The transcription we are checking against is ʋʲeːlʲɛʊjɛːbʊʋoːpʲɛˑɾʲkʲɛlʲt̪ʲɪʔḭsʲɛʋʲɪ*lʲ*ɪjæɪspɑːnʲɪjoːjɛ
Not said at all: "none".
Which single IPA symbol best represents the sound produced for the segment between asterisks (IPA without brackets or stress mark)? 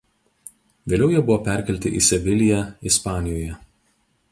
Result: lʲ